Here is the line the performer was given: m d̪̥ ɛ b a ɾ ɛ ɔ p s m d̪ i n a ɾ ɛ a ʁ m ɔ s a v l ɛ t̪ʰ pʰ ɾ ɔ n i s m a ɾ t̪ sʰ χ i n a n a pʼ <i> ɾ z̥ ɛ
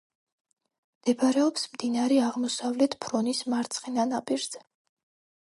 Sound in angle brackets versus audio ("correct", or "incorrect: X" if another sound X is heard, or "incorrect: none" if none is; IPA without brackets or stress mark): correct